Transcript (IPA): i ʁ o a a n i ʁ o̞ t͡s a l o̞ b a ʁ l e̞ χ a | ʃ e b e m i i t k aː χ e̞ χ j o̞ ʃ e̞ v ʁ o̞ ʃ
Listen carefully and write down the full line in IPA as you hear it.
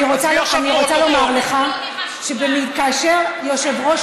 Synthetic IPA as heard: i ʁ o a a n i ʁ o̞ t͡s a l o̞ m a ʁ l e̞ χ a | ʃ e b e m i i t k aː ʃ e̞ ʁ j o̞ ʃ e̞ v ʁ o̞ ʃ